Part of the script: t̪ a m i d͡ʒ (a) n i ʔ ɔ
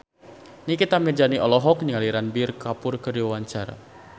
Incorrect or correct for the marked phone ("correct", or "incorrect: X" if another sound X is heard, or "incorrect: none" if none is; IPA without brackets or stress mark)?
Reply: correct